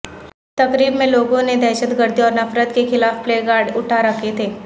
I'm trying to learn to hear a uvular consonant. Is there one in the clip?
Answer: no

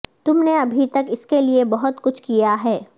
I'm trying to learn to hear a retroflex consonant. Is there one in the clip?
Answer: no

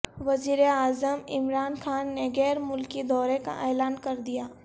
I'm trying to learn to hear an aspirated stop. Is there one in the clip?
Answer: no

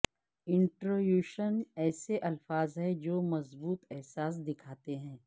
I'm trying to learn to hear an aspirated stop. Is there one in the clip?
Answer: yes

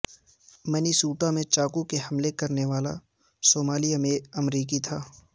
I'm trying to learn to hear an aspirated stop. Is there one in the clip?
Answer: yes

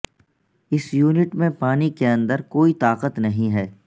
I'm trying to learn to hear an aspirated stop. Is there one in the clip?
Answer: no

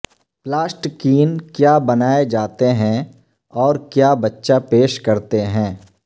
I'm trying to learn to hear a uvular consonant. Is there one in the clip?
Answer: no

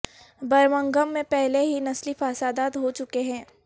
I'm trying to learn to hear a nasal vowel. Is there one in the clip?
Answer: yes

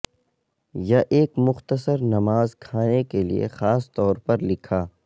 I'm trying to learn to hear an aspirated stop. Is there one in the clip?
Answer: yes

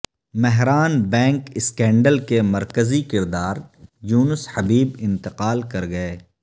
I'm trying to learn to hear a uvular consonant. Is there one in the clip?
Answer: yes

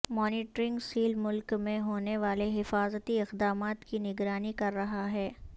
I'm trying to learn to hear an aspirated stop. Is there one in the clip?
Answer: no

